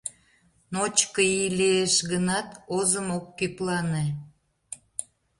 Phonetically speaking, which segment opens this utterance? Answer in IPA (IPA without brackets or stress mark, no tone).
n